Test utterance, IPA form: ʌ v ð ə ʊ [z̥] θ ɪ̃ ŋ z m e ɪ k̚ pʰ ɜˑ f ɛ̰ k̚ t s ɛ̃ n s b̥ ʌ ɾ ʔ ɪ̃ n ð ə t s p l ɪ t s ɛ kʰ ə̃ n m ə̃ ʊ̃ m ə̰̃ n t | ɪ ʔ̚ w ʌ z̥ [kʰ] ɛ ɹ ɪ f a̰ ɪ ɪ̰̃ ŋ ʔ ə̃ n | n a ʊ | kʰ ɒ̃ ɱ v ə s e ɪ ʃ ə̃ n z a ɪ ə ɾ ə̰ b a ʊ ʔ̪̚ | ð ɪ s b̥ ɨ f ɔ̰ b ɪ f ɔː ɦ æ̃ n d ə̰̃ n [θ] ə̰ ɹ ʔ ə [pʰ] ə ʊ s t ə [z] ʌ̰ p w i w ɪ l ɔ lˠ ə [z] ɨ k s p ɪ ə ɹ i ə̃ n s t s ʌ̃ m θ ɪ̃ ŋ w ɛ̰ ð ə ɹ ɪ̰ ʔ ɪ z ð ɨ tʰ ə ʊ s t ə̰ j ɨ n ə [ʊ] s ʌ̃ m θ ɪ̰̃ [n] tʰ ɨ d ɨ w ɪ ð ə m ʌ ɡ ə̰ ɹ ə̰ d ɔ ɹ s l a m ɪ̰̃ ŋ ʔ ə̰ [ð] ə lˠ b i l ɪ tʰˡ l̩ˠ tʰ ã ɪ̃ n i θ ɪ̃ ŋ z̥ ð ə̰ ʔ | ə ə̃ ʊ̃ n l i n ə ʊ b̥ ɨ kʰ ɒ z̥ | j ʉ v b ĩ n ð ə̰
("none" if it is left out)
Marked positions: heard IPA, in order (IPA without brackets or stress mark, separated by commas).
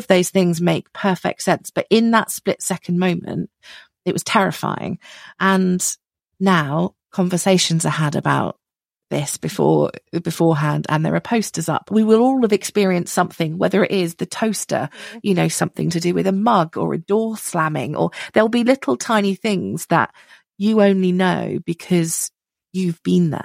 z̥, tʰ, ð, pʰ, z, v, ʊ, ŋ, ð